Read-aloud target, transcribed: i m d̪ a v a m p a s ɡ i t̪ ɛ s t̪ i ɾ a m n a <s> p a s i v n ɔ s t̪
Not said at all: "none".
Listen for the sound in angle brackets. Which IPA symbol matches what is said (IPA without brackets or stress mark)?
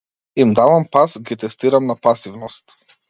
none